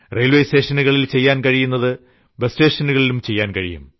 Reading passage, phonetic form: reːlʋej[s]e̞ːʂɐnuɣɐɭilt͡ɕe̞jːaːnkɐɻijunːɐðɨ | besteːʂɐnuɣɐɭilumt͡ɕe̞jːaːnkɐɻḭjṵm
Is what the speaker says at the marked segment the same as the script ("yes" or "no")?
yes